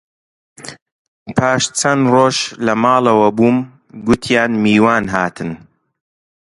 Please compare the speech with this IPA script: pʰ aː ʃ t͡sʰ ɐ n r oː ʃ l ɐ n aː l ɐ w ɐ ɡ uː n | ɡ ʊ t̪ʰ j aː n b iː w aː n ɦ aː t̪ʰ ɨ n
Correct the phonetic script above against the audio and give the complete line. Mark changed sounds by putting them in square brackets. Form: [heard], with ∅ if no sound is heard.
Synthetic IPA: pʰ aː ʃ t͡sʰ ɐ n r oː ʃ l ɐ [m] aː l ɐ w ɐ [b] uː [m] | ɡ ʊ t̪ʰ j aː n [m] iː w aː n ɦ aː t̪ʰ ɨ n